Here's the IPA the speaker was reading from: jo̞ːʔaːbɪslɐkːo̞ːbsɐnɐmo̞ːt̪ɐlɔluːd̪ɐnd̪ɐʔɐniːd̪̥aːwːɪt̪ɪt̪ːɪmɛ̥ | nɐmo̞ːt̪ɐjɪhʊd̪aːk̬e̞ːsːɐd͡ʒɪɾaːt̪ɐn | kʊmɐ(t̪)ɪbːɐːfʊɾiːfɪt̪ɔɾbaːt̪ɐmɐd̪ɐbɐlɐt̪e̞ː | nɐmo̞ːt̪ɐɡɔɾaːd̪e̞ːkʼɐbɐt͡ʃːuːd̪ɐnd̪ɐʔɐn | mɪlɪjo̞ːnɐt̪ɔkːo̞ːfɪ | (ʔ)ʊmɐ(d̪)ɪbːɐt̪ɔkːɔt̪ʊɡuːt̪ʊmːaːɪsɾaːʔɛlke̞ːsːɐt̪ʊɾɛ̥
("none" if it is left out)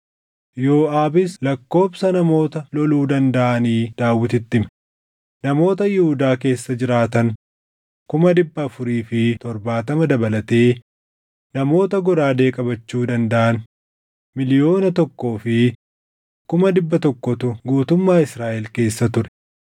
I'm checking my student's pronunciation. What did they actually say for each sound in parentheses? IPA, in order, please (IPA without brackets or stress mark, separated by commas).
d̪, k, d̪